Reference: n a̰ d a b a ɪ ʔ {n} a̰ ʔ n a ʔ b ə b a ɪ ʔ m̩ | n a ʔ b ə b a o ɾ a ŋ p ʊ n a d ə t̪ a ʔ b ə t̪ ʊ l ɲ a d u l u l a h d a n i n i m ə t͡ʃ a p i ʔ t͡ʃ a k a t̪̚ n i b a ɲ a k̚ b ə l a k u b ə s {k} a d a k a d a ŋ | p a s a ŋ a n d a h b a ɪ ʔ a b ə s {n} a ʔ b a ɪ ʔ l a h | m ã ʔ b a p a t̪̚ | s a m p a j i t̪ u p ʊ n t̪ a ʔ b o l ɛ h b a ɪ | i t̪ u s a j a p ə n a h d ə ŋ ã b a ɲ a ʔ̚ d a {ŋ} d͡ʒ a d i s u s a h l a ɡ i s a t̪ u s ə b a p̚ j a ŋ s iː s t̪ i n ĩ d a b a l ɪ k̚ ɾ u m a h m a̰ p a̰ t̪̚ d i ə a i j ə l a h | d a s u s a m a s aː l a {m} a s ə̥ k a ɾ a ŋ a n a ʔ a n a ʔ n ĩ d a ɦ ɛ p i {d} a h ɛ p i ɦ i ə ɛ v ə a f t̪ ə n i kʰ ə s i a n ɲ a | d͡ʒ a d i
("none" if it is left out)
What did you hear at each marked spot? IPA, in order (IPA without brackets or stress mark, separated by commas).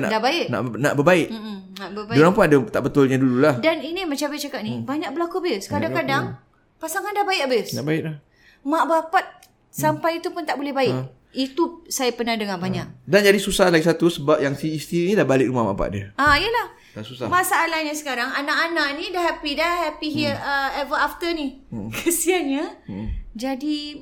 n, k, n, n, ɲ, d